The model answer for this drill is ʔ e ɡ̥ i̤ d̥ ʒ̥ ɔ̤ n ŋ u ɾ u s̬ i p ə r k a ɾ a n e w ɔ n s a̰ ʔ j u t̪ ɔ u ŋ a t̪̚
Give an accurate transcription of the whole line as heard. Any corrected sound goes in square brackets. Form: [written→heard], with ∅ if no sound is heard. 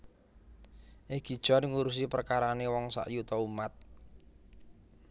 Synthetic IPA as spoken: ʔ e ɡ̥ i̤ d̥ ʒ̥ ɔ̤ n ŋ u ɾ u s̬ i p ə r k a ɾ a n e w ɔ [n→ŋ] s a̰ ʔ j u t̪ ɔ u [ŋ→m] a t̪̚